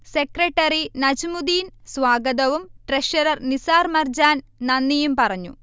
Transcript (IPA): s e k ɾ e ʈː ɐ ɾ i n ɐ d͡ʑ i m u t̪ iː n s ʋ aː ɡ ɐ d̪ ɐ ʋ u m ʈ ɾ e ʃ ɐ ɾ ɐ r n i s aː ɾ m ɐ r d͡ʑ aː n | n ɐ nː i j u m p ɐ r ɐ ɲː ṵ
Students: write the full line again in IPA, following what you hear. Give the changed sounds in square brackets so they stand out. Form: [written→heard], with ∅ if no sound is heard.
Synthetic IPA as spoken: s e k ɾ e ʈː ɐ ɾ i n ɐ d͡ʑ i m u [t̪→d̪] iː n s ʋ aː ɡ ɐ d̪ ɐ ʋ u m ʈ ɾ e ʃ ɐ ɾ ɐ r n i s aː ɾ m ɐ r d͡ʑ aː n | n ɐ nː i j u m p ɐ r ɐ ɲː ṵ